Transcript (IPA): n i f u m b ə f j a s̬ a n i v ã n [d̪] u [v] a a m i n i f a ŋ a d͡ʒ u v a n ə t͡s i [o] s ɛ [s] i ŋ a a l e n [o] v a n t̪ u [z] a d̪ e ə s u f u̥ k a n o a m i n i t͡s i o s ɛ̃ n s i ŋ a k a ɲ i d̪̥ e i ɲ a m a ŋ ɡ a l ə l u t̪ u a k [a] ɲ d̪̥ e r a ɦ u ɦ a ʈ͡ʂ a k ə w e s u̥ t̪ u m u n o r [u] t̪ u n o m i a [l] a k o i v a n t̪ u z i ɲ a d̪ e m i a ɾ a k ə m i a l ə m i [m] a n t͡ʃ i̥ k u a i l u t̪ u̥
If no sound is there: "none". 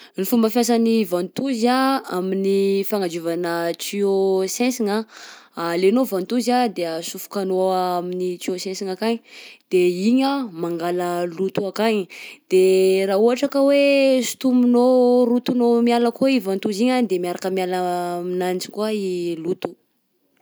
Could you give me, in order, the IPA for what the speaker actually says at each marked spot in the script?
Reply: t̪, z, o, s, o, z, a, u, l, n

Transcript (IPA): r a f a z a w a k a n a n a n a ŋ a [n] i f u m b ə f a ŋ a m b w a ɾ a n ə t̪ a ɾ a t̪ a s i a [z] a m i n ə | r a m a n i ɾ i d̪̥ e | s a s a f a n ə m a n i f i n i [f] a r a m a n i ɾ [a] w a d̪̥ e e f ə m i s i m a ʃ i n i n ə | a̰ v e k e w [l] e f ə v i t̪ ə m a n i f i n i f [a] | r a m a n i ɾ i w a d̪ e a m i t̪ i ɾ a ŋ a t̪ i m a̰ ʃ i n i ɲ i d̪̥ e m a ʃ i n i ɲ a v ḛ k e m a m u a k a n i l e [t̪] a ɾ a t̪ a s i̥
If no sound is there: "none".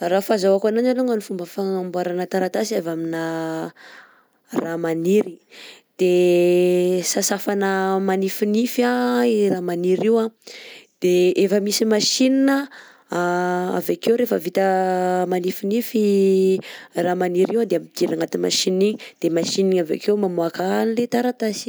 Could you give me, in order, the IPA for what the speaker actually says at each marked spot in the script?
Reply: n, v, f, i, ɾ, i, t̪

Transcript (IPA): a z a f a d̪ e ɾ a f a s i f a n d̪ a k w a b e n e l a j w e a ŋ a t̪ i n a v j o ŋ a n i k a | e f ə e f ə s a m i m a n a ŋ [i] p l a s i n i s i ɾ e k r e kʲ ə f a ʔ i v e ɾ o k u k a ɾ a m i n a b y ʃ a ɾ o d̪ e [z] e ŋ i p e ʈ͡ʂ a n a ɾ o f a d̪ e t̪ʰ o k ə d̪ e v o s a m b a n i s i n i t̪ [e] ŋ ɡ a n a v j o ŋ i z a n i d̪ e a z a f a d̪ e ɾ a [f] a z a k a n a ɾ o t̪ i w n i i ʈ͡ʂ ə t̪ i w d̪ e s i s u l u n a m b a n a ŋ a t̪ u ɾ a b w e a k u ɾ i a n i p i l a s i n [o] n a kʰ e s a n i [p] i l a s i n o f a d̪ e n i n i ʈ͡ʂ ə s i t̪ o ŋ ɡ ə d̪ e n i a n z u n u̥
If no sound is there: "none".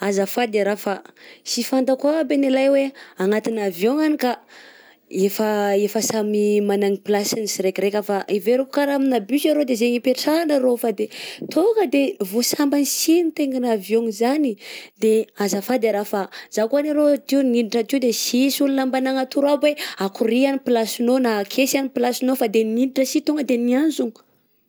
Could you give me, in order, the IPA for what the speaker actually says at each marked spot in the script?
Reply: i, z, e, f, o, p

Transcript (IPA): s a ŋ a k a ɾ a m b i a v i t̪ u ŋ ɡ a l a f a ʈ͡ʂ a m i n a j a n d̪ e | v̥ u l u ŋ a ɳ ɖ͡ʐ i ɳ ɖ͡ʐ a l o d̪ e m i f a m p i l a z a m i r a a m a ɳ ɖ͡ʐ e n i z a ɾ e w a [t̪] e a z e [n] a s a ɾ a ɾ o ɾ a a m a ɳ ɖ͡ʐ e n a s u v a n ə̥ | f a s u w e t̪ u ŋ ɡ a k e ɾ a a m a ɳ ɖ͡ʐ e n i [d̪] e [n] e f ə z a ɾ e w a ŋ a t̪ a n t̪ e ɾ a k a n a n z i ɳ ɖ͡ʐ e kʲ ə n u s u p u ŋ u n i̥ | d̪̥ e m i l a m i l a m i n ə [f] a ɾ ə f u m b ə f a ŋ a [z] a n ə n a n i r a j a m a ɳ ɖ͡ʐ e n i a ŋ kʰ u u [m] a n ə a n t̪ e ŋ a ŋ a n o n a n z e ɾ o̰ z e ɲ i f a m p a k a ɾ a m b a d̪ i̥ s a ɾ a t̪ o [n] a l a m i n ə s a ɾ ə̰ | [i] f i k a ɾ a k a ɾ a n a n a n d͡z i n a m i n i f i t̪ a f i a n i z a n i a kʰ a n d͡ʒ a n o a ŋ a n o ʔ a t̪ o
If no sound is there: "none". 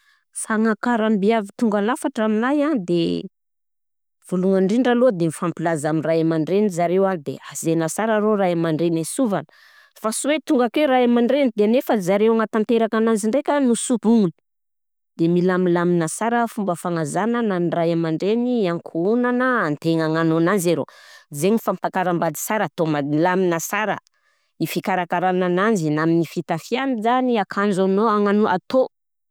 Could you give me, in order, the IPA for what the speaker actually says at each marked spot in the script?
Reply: d̪, n, d̪, n, s, z, n, m, i

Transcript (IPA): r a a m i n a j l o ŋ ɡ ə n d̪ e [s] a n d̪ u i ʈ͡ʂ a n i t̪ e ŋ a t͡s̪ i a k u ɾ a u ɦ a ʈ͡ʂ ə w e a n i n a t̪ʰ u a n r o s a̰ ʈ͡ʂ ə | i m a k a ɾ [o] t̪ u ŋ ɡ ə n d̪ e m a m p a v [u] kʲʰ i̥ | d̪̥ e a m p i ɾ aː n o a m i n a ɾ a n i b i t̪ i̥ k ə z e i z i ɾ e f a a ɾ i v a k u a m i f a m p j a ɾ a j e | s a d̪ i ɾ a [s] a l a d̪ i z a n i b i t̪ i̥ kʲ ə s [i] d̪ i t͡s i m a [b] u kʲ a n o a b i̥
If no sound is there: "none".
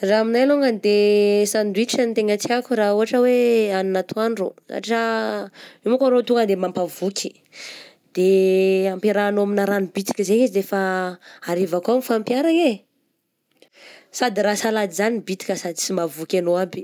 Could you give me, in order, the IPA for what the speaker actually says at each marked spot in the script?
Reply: s, o, u, s, a, v

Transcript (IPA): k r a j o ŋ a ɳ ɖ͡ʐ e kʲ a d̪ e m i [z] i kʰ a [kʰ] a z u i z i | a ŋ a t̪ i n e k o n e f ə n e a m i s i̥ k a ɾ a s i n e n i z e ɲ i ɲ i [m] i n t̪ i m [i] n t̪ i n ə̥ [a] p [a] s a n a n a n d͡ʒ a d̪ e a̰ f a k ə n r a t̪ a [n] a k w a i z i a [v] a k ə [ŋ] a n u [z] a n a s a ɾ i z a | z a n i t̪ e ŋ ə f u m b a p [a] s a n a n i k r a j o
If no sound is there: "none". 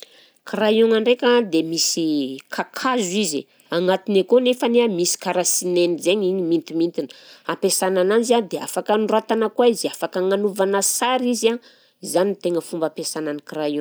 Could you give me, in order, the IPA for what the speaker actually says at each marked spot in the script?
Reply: s, kʰ, m, i, a, e, n, f, ŋ, v, e

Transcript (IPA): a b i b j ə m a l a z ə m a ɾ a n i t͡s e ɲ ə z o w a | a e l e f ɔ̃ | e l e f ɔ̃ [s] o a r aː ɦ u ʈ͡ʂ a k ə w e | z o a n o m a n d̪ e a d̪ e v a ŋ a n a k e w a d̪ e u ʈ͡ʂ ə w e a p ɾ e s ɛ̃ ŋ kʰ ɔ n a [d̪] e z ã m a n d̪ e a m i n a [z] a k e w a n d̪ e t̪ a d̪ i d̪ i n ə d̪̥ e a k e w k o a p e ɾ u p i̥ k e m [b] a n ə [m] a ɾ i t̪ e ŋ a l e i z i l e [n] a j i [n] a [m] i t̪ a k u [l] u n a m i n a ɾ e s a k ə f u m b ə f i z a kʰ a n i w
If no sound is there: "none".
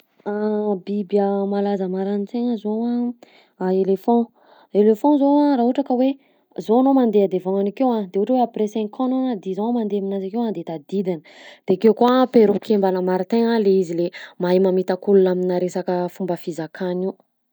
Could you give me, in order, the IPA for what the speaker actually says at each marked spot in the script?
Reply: z, d̪, z, b, m, m, m, m, l

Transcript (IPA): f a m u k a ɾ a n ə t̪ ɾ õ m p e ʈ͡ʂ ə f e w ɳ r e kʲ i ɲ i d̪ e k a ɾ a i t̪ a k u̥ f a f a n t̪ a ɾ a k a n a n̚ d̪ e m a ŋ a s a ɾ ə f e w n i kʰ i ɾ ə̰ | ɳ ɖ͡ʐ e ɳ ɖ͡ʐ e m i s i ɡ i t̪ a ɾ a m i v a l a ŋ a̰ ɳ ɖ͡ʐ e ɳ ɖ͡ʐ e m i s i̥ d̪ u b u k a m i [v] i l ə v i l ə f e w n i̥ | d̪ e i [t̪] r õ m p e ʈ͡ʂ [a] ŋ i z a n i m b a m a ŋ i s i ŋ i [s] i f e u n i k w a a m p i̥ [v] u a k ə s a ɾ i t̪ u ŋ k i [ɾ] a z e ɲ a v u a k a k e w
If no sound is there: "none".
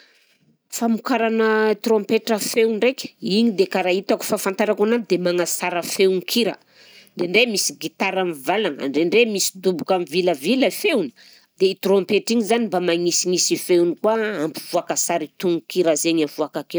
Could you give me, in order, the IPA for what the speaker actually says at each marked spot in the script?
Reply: v, t̪, i, s, v, ɾ

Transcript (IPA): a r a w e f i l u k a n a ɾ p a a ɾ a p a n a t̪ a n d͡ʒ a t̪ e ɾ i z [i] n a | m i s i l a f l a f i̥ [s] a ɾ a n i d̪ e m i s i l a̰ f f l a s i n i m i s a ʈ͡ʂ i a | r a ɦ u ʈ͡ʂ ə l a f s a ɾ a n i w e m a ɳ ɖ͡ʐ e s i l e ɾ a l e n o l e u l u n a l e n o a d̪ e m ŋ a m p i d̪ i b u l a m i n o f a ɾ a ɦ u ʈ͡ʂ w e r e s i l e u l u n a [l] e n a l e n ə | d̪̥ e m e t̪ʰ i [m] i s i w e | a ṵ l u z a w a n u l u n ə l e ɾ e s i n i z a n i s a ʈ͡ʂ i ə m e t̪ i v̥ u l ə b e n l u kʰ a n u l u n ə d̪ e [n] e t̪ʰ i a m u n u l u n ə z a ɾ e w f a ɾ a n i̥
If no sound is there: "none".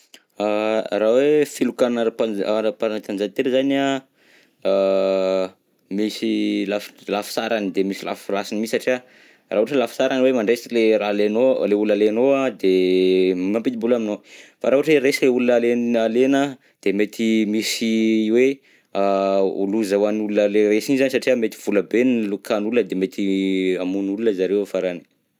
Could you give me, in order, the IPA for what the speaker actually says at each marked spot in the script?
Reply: a, s, l, m, m

